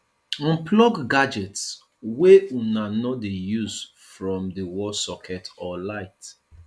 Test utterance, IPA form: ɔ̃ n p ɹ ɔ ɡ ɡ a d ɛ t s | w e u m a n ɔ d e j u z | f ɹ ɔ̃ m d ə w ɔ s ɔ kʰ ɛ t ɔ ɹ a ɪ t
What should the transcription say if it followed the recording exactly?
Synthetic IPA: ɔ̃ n p l ɔ ɡ ɡ a d͡ʒ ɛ t s | w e u n a n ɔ d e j u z | f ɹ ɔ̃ m d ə w ɔ s ɔ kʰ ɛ t ɔ l a ɪ t